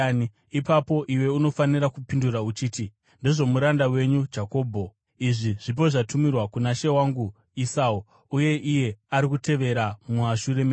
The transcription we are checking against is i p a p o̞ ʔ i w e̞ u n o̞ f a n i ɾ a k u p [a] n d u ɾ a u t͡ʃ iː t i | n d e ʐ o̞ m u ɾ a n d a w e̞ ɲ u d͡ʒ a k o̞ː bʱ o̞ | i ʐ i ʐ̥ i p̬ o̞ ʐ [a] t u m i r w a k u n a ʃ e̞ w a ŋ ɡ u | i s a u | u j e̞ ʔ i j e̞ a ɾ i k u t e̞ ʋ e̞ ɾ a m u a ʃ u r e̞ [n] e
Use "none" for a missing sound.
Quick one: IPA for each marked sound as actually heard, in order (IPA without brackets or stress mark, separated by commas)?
i, a, m